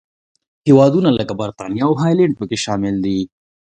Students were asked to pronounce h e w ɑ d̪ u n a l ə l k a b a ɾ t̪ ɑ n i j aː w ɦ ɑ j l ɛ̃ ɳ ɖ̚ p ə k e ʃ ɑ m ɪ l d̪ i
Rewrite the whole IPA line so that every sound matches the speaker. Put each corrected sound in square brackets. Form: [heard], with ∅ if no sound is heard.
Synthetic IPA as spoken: h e w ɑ d̪ u n a l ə [∅] k a b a ɾ t̪ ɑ n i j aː w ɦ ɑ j l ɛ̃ ɳ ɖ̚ p ə k e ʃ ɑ m ɪ l d̪ i